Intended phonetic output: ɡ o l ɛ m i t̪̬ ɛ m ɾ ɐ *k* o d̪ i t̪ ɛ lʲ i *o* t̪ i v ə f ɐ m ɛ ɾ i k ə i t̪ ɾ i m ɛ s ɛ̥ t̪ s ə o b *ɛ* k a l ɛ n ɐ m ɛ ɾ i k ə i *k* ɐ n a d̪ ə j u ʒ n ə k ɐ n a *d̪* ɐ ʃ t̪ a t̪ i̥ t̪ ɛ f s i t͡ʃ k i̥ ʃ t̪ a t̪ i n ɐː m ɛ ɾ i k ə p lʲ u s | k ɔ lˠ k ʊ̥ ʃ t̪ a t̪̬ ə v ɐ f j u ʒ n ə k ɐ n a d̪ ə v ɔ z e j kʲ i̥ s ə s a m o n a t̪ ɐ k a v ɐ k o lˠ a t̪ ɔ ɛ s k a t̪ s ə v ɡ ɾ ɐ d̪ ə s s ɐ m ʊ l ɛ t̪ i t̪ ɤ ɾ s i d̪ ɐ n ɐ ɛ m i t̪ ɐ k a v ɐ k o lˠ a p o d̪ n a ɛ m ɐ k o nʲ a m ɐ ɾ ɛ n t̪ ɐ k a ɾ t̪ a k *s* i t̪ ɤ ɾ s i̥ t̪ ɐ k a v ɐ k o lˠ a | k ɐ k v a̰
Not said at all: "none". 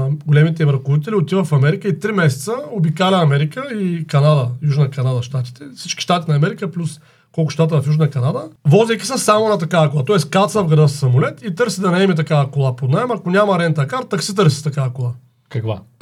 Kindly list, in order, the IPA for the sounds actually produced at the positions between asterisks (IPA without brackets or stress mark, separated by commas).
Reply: k, o, i, k, d̪, s